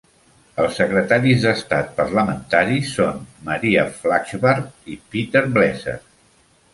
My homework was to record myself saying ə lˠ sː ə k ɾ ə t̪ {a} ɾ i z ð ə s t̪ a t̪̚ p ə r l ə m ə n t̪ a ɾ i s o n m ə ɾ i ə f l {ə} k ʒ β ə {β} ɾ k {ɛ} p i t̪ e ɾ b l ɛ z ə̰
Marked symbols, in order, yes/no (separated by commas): yes, no, no, no